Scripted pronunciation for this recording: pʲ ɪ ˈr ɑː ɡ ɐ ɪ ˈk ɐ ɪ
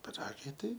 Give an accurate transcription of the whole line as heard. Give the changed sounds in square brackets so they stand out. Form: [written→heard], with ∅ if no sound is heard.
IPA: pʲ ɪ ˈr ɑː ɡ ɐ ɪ [ˈk→ˈt] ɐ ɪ